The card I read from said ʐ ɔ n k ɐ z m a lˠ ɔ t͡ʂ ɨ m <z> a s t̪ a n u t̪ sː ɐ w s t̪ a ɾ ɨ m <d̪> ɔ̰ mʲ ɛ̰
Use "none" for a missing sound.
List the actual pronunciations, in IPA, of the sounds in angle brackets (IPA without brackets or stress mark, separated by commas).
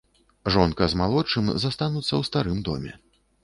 z, d̪